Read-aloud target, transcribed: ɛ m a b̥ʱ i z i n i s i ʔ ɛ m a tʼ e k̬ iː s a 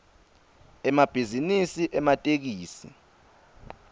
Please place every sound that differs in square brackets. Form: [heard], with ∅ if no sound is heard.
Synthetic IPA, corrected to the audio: ɛ m a b̥ʱ i z i n i s i ʔ ɛ m a tʼ e k̬ iː s [i]

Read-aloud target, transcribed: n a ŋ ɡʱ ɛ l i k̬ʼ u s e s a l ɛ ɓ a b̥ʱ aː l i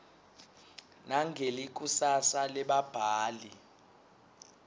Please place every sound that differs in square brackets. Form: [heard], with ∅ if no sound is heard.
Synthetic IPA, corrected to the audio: n a ŋ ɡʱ [e] l i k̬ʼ u s [a] s a l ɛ ɓ a b̥ʱ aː l i

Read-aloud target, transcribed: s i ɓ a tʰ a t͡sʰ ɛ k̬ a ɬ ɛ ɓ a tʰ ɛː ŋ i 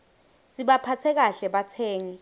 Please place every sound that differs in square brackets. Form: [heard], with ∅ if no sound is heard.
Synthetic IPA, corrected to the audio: s i ɓ a [pʰ] a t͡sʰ ɛ k̬ a ɬ ɛ ɓ a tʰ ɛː ŋ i

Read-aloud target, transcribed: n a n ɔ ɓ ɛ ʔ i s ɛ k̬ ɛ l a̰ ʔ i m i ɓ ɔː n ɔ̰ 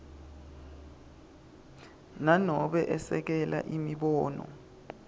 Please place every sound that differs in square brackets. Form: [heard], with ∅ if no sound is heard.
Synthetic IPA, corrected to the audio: n a n ɔ ɓ ɛ ʔ [ɛ] s ɛ k̬ ɛ l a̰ ʔ i m i ɓ ɔː n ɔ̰

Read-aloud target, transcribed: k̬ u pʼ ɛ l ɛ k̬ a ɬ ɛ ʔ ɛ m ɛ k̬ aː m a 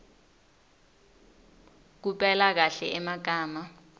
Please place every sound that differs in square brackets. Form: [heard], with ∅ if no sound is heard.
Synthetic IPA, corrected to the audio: k̬ u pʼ ɛ l [a] k̬ a ɬ ɛ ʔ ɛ m [a] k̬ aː m a

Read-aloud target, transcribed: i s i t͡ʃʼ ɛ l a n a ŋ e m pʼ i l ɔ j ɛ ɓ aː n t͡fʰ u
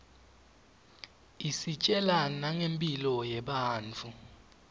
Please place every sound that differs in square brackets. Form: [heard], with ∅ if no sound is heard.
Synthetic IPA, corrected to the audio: i s i t͡ʃʼ ɛ l a n a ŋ e m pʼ i l ɔ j ɛ ɓ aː n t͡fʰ u

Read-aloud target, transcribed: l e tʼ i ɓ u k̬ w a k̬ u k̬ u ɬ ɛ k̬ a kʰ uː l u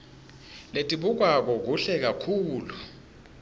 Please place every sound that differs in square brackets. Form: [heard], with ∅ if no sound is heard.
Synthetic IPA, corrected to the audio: l e tʼ i ɓ u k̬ w a k̬ [ɔ] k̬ u ɬ ɛ k̬ a kʰ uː l u

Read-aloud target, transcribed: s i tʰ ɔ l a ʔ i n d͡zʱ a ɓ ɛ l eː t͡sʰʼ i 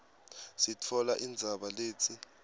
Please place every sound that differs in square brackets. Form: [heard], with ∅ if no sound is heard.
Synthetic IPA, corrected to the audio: s i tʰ ɔ l a ʔ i n d͡zʱ a ɓ [a] l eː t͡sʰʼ i

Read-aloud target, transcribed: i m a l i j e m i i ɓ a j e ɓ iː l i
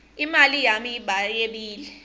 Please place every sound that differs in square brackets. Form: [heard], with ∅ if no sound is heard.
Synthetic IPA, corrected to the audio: i m a l i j [a] m i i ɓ a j e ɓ iː l [ɛ]

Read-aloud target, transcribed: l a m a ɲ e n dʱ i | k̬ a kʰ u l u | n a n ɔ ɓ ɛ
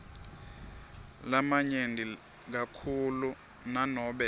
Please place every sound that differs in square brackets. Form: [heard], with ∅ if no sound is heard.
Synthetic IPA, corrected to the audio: l a m a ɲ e n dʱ i | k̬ a kʰ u l u | n a n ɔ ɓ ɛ

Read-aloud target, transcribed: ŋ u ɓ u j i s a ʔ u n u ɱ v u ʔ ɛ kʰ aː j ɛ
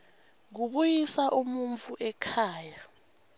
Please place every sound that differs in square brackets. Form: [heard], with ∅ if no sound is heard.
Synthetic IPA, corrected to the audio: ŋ u ɓ u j i s a ʔ u [m] u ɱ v u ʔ ɛ kʰ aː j [a]

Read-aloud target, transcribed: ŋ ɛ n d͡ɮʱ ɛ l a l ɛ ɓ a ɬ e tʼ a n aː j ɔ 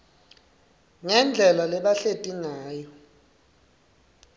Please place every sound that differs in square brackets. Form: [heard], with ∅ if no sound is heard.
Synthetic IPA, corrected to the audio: ŋ ɛ n d͡ɮʱ ɛ l a l ɛ ɓ a ɬ e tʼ [i] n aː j ɔ

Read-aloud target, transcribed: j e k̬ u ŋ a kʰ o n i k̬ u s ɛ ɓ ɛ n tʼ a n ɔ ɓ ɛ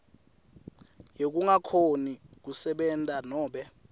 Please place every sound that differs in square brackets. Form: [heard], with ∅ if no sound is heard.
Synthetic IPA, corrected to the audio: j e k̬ u ŋ a kʰ o n i k̬ u s ɛ ɓ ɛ n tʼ a n [ɔː] ɓ ɛ

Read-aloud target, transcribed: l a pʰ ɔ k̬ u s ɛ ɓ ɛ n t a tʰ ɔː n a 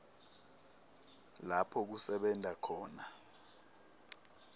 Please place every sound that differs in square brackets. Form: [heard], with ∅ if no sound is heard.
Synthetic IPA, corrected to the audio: l a pʰ ɔ k̬ u s ɛ ɓ ɛ n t a [kʰ] ɔː n a

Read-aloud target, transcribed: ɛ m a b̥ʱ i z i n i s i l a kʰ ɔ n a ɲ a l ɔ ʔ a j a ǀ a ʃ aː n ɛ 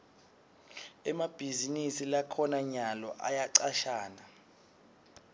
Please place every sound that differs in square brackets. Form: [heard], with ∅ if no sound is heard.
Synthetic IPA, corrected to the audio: ɛ m a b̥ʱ i z i n i s i l a kʰ ɔ n a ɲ a l ɔ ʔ a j a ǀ a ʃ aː n [a]

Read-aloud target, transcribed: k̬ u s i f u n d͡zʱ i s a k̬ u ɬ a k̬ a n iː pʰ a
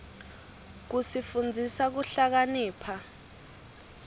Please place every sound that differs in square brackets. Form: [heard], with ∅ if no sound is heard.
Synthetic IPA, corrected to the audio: k̬ u s i f u n d͡zʱ i s a k̬ u ɬ a k̬ a n iː pʰ a

